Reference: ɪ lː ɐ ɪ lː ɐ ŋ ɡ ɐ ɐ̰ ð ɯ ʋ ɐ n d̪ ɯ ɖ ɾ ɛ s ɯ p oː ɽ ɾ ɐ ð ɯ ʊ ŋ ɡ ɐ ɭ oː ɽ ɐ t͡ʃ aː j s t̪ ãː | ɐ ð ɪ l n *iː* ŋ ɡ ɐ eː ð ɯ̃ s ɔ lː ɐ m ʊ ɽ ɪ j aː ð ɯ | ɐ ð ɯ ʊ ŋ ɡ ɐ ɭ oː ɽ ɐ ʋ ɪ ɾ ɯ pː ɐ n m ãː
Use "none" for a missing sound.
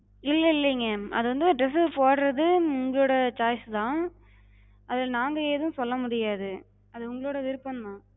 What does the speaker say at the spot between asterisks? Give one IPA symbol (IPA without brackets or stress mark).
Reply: aː